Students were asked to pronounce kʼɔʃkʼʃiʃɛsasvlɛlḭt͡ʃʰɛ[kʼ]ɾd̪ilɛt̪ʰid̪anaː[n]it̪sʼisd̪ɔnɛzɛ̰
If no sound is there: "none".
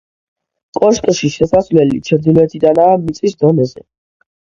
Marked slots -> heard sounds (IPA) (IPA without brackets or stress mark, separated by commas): none, m